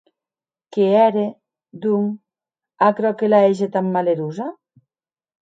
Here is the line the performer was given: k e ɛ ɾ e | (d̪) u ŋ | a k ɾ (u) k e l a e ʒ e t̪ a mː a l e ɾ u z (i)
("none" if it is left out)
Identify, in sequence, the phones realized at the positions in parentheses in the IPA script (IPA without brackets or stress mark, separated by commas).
d̪, ɔ, a